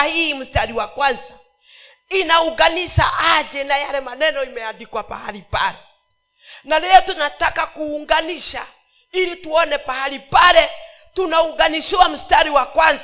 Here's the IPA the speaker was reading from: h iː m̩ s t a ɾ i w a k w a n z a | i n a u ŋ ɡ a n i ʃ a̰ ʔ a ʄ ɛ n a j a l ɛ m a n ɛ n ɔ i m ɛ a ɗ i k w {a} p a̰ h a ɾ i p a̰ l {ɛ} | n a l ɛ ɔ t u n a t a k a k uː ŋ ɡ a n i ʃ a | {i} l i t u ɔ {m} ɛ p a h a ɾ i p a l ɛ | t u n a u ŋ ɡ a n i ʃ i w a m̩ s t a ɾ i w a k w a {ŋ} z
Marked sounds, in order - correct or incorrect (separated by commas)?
correct, correct, correct, incorrect, incorrect